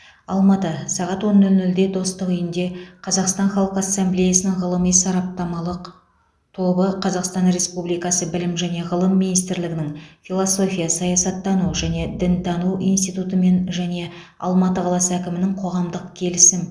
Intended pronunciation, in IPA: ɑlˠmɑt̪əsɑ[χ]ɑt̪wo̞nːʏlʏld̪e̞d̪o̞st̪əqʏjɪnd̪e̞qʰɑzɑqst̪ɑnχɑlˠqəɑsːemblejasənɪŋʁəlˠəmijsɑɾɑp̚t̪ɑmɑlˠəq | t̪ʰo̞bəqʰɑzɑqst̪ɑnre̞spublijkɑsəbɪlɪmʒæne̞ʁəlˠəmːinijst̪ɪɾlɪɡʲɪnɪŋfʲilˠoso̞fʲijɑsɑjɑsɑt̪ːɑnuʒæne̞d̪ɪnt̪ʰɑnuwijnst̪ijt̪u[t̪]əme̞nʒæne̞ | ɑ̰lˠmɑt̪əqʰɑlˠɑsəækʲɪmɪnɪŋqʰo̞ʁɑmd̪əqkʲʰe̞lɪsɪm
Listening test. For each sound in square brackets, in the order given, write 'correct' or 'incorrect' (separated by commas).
incorrect, correct